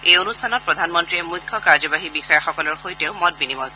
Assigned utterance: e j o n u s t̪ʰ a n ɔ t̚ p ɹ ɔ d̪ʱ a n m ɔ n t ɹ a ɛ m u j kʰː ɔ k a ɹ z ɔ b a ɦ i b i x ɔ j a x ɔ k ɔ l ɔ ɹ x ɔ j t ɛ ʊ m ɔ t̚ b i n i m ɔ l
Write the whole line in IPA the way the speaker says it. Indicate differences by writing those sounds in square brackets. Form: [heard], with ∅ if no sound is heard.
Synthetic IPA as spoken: e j o n u s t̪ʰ a n ɔ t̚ p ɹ ɔ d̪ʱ a n m ɔ n t ɹ [i] ɛ m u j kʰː ɔ k a ɹ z ɔ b a ɦ i b i x ɔ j a x ɔ k ɔ l ɔ ɹ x [o] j t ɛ ʊ m ɔ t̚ b i n i m ɔ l